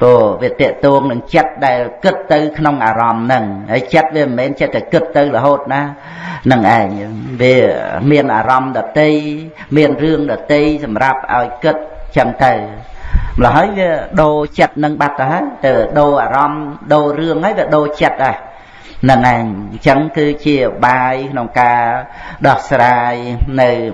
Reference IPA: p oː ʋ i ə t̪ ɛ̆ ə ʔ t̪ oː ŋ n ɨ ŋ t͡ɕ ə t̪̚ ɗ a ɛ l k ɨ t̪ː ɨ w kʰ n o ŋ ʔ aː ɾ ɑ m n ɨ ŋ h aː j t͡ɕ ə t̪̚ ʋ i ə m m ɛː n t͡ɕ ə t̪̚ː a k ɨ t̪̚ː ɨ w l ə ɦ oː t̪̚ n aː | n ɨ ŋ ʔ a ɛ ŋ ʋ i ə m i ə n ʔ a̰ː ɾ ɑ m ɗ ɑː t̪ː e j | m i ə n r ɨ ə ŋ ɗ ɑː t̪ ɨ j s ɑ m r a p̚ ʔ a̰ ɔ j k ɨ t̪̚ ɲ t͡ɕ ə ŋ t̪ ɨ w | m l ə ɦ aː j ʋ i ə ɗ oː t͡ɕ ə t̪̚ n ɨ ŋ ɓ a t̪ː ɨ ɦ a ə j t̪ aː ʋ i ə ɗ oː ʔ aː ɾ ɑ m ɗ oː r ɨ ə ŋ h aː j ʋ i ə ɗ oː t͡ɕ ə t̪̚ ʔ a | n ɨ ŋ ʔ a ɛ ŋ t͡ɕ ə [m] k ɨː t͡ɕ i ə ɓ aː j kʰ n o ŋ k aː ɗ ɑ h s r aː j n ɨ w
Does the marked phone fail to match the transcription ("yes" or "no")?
yes